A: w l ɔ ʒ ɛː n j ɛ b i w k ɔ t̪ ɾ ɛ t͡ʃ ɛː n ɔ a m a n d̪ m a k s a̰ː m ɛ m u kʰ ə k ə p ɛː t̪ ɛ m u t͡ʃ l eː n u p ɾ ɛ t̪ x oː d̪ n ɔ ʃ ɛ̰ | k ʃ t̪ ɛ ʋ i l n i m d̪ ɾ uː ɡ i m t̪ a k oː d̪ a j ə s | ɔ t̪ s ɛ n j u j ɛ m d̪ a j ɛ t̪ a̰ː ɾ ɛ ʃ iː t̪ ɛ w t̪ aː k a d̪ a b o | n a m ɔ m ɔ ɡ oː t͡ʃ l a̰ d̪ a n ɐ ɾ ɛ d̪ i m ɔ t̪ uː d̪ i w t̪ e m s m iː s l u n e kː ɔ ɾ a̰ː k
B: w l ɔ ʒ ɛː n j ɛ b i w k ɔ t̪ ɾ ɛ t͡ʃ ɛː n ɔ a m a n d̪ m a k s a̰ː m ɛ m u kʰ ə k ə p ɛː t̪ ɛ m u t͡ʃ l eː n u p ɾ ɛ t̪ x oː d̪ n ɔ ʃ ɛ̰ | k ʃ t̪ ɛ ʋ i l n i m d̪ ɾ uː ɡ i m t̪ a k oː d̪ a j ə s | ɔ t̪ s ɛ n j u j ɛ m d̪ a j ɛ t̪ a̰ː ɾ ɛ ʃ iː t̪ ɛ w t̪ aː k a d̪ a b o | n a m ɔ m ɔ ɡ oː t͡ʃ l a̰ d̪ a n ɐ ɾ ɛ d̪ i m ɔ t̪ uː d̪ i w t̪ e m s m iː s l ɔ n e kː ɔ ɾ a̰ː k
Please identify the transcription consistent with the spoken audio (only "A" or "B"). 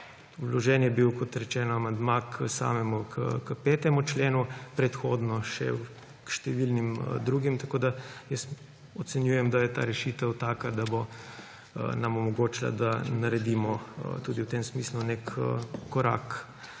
A